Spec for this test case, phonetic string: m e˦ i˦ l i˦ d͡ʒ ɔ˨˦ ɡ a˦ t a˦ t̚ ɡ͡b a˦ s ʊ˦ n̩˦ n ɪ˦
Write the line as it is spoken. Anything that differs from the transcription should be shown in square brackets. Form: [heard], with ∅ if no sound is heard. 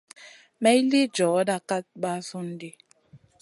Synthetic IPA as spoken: m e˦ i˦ l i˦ d͡ʒ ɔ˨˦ [d] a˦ [k] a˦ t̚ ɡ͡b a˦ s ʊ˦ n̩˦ [d] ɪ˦

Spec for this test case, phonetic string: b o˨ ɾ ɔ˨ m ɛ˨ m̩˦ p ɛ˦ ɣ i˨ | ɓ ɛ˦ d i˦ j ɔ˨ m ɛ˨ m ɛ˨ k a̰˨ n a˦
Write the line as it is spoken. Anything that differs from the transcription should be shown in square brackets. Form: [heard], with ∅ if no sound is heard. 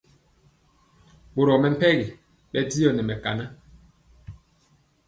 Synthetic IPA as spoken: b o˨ ɾ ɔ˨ m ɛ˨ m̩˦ p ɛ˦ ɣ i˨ | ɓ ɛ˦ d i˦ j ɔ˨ [n] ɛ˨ m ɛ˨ k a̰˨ n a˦

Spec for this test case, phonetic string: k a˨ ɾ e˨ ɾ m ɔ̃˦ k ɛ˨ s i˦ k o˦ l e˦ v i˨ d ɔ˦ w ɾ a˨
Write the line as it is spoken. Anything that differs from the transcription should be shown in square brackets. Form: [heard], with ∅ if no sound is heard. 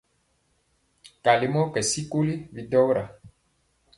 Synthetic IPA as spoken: k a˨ [l] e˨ [∅] m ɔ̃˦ k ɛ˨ s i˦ k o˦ l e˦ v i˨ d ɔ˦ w ɾ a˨

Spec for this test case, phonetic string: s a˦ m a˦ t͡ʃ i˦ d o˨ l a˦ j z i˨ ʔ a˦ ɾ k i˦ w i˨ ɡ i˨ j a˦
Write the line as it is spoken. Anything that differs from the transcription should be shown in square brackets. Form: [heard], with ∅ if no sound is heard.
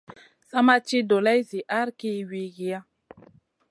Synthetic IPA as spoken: s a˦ m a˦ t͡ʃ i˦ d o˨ l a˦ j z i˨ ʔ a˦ ɾ k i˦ w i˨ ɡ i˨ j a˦

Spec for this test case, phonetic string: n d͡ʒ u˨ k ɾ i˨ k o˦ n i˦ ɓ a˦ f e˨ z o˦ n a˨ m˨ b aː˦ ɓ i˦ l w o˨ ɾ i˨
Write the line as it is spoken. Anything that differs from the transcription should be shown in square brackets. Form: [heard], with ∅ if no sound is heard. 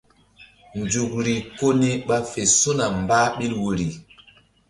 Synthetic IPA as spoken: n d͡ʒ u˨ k ɾ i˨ k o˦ n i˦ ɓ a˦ f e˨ [s] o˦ n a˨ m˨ b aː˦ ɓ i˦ l w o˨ ɾ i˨

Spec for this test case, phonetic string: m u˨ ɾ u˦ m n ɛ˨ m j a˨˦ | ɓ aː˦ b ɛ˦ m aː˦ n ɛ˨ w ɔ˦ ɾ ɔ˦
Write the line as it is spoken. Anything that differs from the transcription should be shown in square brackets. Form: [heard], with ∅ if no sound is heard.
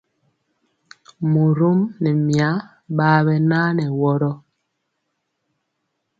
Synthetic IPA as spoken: m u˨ ɾ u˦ m n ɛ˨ m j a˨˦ | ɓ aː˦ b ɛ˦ [n] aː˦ n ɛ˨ w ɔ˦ ɾ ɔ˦

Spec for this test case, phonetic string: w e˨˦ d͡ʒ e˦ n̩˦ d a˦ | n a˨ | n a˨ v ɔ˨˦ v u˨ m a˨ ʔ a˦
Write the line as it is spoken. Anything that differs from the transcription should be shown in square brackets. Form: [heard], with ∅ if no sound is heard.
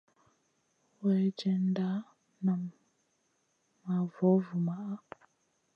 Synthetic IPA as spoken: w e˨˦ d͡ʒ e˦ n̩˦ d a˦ | n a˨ | [m] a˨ v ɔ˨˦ v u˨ m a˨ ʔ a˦

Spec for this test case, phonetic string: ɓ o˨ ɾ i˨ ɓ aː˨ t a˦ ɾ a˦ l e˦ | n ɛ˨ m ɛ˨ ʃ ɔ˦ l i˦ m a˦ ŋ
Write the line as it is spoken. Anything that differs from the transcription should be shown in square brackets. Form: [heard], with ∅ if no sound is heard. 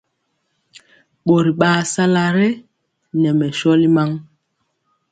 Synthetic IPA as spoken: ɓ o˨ ɾ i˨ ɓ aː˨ [s] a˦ [l] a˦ [ɾ] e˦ | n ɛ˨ m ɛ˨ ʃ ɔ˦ l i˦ m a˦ ŋ

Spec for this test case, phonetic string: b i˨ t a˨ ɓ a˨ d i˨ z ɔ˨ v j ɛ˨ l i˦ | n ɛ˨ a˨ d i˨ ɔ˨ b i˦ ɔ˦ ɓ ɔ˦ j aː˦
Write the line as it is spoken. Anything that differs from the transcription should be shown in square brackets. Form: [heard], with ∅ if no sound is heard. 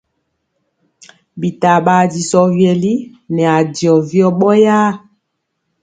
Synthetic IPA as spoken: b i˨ t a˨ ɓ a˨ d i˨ [s] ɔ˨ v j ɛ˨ l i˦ | n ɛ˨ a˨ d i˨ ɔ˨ [v] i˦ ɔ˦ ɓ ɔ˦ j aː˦

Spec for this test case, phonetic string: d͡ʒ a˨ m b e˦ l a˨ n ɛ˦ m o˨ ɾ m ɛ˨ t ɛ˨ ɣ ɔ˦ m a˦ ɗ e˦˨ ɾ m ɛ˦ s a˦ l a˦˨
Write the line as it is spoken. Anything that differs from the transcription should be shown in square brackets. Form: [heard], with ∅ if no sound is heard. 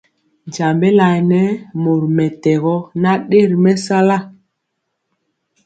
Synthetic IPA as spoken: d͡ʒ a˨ m b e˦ l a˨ n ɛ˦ m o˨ ɾ m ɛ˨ t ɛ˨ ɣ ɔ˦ [n] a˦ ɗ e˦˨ ɾ m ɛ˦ s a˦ l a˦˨

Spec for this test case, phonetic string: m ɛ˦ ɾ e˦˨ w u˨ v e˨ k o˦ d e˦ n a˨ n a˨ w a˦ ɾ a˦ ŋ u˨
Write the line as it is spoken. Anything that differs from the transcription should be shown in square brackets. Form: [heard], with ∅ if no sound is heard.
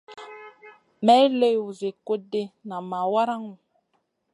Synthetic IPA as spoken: m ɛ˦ [l] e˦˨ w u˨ [z] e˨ k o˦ d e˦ n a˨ [m] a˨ w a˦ ɾ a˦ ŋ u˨

